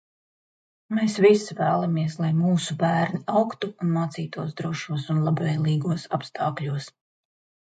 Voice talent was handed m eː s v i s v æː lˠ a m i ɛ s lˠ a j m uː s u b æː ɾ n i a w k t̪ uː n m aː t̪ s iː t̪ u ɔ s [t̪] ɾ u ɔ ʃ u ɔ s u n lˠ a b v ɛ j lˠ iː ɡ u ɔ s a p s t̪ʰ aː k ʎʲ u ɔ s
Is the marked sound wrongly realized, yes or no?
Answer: yes